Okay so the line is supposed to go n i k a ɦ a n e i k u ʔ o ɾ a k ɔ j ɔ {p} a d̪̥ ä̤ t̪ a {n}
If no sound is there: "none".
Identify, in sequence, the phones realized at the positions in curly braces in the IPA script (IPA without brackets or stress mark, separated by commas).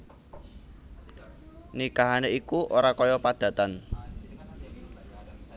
p, n